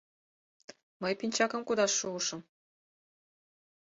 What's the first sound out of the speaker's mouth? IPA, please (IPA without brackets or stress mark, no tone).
m